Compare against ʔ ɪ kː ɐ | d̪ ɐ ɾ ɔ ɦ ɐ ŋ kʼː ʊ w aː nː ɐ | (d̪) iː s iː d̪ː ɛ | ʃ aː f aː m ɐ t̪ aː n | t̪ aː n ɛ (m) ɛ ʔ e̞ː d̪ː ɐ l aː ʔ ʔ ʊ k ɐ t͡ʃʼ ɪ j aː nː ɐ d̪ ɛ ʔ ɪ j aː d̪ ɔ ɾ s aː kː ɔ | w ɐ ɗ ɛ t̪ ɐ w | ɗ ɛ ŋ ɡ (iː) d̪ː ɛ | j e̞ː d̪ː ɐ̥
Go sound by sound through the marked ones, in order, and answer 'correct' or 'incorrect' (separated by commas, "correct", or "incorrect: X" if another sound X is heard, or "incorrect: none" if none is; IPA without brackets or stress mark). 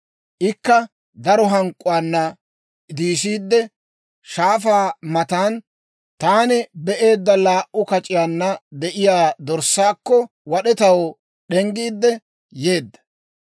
correct, incorrect: b, correct